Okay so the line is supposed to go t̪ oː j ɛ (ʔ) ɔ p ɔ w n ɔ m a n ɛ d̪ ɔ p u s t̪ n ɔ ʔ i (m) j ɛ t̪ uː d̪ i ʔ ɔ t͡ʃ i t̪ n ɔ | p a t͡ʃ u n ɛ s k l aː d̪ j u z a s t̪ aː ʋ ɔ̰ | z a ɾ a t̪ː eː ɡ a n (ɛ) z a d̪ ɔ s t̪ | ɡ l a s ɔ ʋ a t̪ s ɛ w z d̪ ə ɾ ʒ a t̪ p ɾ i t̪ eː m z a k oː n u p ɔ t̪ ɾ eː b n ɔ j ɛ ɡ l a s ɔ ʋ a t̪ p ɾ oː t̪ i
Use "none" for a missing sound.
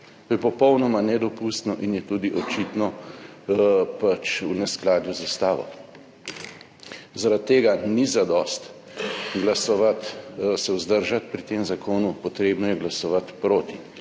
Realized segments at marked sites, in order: p, n, i

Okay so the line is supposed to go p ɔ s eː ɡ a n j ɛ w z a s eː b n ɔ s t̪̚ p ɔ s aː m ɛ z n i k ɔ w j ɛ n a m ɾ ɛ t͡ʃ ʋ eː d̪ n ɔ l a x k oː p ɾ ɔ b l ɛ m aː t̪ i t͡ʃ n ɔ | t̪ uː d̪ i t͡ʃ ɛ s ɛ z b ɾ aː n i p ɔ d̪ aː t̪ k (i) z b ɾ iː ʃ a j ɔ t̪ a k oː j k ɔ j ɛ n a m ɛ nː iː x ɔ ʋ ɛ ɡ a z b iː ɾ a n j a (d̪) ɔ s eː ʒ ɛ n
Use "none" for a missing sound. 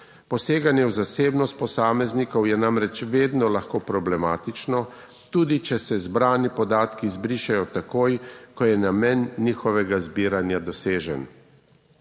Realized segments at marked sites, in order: i, d̪

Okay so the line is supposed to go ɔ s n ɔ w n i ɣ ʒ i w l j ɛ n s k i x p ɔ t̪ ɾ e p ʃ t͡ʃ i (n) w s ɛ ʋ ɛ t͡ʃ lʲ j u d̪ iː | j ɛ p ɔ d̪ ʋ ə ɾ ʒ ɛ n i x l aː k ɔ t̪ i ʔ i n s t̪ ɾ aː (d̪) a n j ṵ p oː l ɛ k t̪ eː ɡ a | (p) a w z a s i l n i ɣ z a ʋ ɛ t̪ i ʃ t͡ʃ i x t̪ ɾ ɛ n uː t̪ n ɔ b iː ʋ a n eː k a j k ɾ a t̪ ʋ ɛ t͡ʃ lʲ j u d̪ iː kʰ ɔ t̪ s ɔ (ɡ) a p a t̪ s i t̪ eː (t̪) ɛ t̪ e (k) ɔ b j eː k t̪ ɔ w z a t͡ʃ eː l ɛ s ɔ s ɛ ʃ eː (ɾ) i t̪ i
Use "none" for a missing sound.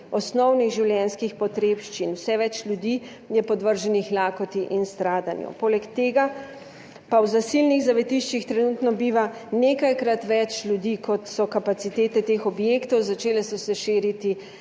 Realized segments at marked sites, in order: n, d̪, p, k, t̪, x, ɾ

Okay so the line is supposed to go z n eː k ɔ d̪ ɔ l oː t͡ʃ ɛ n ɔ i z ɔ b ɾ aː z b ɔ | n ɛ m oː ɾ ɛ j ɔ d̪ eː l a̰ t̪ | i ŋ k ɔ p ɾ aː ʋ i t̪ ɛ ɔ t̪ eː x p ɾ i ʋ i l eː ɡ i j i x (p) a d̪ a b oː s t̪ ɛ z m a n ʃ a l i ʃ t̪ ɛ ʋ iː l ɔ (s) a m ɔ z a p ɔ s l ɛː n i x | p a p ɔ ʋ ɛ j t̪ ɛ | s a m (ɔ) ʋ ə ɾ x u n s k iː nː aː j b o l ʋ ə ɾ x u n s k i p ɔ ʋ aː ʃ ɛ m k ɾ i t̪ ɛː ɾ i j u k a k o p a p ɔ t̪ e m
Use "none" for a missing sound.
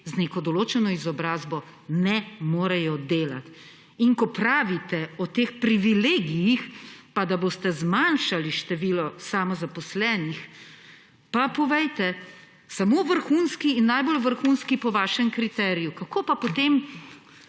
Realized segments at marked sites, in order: p, s, o

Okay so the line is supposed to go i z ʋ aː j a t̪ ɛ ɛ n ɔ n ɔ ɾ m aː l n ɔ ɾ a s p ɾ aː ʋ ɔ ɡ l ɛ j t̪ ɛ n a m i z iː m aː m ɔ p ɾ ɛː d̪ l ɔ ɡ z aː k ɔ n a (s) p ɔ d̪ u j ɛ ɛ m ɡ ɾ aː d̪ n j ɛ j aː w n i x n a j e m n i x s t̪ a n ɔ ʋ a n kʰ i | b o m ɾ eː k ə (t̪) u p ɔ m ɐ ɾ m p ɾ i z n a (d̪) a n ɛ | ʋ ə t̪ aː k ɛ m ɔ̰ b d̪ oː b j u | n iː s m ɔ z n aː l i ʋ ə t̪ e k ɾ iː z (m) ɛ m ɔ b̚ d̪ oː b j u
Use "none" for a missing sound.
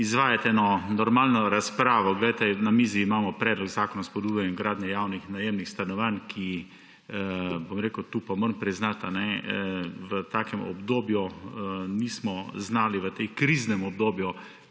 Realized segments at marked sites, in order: s, t̪, t̪, n

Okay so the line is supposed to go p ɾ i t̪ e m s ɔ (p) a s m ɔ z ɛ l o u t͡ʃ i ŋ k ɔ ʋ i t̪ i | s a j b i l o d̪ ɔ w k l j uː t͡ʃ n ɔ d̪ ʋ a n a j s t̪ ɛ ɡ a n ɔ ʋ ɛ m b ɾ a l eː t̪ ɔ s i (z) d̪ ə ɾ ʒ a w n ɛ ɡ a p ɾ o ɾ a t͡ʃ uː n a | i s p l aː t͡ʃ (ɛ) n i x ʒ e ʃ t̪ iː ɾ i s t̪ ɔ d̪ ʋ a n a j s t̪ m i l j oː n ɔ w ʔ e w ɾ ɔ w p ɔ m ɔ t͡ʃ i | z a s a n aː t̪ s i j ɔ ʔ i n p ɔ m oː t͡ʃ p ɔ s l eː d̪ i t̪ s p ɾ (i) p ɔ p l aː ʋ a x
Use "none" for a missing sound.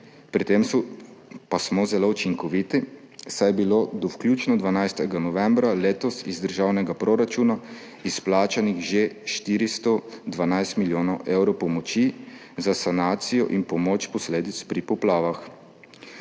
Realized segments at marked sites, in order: p, z, a, i

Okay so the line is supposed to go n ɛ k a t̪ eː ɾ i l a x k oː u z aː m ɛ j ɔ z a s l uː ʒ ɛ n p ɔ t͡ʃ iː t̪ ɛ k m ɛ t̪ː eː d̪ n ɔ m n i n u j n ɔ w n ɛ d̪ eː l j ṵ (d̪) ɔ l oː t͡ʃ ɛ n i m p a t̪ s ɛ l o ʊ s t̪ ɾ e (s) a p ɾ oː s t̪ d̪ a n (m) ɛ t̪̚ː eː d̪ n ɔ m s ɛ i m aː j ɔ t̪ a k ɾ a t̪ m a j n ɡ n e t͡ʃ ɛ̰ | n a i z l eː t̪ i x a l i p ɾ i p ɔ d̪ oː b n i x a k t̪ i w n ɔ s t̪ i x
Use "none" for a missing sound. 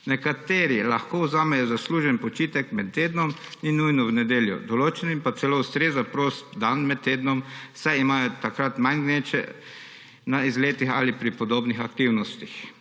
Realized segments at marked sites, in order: d̪, z, m

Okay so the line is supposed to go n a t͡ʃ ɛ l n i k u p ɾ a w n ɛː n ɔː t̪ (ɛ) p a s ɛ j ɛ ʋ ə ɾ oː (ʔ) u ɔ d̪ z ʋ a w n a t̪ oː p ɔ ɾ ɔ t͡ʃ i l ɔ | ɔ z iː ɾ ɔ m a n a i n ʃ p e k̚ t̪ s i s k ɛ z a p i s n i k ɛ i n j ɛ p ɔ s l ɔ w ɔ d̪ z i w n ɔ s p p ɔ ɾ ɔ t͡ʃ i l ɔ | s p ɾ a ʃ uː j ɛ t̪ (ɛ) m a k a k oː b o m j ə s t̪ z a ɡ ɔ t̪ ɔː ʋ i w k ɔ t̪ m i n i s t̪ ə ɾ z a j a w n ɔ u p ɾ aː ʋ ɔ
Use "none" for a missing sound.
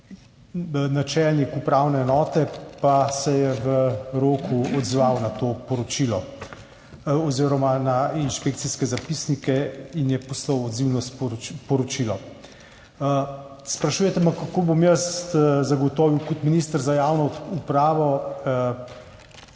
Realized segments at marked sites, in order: ɛ, k, ɛ

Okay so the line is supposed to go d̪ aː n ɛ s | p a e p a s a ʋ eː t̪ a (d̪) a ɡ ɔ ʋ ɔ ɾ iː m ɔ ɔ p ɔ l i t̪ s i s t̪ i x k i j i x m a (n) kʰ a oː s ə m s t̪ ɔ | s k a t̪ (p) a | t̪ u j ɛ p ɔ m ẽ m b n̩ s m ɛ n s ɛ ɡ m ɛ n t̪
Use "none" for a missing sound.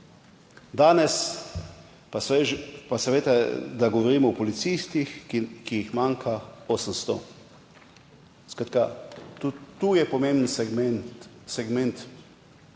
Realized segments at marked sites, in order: d̪, ŋ, k

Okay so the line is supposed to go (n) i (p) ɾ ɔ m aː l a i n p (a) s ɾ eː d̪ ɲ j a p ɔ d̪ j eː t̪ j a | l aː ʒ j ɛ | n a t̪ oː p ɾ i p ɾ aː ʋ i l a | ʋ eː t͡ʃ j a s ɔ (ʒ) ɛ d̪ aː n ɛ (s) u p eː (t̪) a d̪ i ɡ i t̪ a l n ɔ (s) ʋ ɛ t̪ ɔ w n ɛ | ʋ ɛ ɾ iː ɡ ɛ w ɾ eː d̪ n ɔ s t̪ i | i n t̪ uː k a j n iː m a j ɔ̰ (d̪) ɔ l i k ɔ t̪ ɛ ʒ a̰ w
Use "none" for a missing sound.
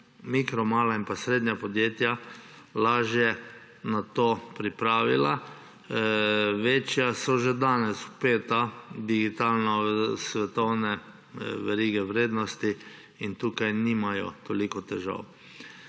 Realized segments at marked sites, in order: m, k, a, ʒ, s, t̪, s, t̪

